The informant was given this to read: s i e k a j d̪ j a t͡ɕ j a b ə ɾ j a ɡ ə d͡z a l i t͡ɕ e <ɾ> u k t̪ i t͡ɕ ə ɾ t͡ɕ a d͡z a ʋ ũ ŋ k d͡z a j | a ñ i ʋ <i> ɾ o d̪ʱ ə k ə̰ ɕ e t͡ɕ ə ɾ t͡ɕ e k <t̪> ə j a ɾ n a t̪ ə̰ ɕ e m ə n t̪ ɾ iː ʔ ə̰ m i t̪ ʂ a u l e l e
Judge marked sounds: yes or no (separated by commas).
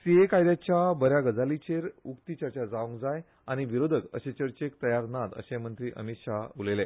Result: yes, yes, yes